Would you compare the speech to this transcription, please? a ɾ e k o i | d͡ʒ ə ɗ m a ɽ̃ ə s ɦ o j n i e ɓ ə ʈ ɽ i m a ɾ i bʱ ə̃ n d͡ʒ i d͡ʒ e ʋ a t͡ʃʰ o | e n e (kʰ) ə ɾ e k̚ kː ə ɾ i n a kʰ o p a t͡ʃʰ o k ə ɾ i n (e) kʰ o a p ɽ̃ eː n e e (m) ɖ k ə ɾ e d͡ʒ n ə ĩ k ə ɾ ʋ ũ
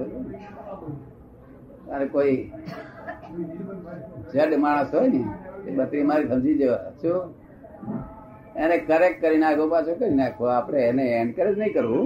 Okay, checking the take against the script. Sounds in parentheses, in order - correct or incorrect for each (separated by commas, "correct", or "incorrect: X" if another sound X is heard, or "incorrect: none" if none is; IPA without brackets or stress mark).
incorrect: k, incorrect: a, incorrect: ɳ